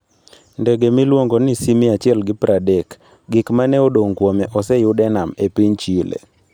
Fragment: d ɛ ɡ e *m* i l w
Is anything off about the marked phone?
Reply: no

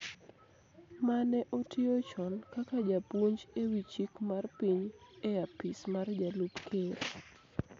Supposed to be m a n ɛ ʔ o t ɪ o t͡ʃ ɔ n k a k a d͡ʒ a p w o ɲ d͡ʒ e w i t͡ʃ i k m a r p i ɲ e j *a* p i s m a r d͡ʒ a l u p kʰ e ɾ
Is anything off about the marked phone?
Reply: no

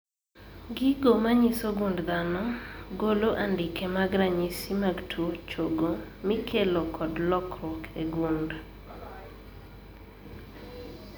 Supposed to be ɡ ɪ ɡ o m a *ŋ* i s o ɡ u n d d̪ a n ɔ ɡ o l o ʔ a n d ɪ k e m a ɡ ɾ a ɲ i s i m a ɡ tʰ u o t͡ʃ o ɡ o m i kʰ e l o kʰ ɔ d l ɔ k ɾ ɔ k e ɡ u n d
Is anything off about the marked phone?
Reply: yes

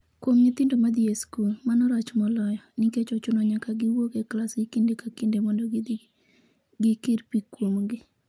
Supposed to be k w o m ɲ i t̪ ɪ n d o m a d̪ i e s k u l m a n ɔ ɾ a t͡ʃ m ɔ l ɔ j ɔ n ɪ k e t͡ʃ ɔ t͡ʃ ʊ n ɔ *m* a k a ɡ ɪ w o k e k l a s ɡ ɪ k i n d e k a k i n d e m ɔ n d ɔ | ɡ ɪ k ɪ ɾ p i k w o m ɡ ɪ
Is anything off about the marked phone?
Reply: yes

